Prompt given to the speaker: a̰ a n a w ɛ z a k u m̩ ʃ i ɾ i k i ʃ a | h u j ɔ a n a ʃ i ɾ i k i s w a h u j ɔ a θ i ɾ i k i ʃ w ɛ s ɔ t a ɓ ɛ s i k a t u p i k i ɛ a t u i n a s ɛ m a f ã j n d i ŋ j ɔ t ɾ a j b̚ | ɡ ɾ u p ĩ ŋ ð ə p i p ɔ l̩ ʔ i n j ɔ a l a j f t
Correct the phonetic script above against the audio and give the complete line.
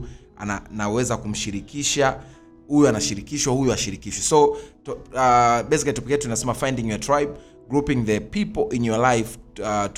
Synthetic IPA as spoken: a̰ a n a w ɛ z a k u m̩ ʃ i ɾ i k i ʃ a | h u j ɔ a n a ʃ i ɾ i k i ʃ w a h u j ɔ a ʃ i ɾ i k i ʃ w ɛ s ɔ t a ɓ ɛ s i k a t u p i k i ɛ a t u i n a s ɛ m a f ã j n d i ŋ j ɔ t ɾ a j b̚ | ɡ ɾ u p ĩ ŋ ð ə p i p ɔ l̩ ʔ i n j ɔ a l a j f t